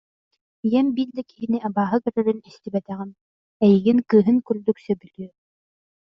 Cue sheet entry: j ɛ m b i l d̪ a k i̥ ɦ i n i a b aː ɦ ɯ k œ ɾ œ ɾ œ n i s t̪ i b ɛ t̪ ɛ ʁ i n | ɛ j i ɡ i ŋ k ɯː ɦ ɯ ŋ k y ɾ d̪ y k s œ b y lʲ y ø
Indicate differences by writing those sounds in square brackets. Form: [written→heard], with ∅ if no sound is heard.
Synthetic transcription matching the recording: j ɛ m b i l d̪ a k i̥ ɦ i n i a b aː ɦ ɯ k œ ɾ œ ɾ [œ→y] n i s t̪ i b ɛ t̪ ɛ ʁ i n | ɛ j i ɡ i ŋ k ɯː ɦ ɯ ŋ k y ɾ d̪ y k s œ b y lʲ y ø